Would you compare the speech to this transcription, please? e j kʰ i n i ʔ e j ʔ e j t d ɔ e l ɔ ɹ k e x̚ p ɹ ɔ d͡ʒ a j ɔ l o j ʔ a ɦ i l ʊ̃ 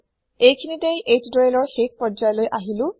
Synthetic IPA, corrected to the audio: e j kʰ i n i t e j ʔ e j t d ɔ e l ɔ ɹ x e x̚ p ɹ ɔ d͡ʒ a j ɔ l o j ʔ a ɦ i l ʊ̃

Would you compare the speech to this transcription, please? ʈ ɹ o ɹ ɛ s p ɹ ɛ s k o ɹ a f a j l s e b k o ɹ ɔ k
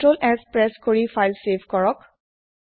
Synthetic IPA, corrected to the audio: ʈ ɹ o l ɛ s p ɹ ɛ s k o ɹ i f a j l s e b k ɔ ɹ ɔ k

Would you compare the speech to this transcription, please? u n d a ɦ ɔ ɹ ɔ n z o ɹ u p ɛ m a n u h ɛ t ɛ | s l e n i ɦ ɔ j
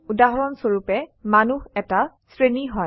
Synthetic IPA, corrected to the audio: u d a ɦ ɔ ɹ ɔ n s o ɹ u p ɛ m a n u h ɛ t a | s ɹ e n i ɦ ɔ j

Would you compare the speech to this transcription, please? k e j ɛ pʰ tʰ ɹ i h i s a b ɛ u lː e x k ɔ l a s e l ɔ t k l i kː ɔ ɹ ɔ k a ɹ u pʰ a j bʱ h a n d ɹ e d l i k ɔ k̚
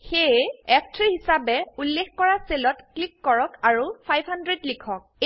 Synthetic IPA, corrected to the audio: x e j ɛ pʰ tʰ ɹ i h i s a b ɛ u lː e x k ɔ ɹ a s e l ɔ t k l i kː ɔ ɹ ɔ k a ɹ u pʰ a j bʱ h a n d ɹ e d l i kʰ ɔ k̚

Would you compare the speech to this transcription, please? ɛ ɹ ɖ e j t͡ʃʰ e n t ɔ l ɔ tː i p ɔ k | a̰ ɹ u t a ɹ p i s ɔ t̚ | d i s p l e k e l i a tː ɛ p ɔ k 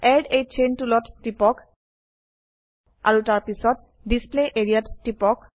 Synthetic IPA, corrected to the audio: ɛ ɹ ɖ e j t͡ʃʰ e n t u l ɔ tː i p ɔ k | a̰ ɹ u t a ɹ p i s ɔ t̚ | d i s p l e ʔ e ɹ i a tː i p ɔ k

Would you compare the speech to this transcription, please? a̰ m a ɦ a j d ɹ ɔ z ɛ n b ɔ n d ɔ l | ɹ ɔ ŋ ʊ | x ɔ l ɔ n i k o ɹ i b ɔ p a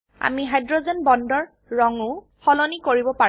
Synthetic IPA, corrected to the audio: a̰ m i ɦ a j d ɹ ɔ z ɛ n b ɔ n d ɔ ɹ | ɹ ɔ ŋ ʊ | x ɔ l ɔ n i k o ɹ i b ɔ p a

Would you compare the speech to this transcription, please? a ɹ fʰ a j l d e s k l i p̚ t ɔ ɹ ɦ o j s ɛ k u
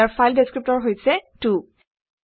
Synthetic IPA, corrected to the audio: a ɹ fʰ a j l d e s k ɹ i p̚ t ɔ ɹ ɦ o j s ɛ t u

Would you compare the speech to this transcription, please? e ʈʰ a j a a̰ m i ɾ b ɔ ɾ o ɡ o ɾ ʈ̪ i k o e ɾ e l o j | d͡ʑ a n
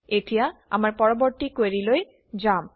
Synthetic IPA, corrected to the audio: e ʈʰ i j a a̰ m a ɾ p ɔ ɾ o b o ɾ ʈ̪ i k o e ɾ i l o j | d͡ʑ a m

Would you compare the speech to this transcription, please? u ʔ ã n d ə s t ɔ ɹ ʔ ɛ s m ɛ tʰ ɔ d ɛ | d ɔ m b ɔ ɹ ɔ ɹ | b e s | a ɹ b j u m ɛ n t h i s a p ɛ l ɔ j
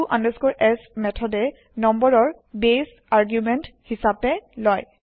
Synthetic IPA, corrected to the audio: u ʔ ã n d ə s k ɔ ɹ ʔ ɛ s m ɛ tʰ ɔ d ɛ | n ɔ m b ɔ ɹ ɔ ɹ | b e s | a ɹ ɡ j u m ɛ n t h i s a p ɛ l ɔ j

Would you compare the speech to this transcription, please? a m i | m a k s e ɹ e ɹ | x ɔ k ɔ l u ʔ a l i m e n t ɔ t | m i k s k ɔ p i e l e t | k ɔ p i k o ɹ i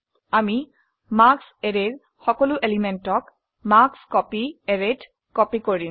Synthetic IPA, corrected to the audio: a m i | m a k s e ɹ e ɹ | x ɔ k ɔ l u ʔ e l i m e n t ɔ k | m a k s k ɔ p i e ɹ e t | k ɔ p i k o ɹ i

